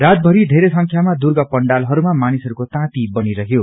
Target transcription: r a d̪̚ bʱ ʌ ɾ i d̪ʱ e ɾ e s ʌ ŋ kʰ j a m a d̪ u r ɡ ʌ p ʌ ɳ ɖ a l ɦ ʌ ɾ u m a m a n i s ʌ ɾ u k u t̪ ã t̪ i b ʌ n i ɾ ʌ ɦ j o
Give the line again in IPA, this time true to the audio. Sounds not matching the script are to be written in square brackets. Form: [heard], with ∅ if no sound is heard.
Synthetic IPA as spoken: r a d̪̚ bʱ ʌ ɾ i d̪ʱ e ɾ e s ʌ ŋ kʰ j a m a d̪ u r ɡ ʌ p ʌ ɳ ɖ a l ɦ ʌ ɾ u m a m a n i s ʌ ɾ u k [o] t̪ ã t̪ i b ʌ n i ɾ ʌ ɦ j o